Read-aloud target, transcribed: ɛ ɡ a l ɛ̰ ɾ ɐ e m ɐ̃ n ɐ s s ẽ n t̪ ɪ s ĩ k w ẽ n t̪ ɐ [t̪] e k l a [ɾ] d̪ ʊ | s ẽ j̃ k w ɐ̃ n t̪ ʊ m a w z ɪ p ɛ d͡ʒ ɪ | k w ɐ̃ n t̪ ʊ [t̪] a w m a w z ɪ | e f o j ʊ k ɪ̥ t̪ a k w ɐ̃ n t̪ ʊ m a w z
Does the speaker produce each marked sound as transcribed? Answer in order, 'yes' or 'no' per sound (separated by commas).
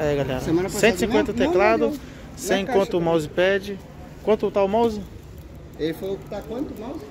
yes, no, yes